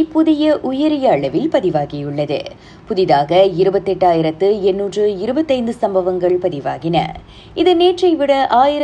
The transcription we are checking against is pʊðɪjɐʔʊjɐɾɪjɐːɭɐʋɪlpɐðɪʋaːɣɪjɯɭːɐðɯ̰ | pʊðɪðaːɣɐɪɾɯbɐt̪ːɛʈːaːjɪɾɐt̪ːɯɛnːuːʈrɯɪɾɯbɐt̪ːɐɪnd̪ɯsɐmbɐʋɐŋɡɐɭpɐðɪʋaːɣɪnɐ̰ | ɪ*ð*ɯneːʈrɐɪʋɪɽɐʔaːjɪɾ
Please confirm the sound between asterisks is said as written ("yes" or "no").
yes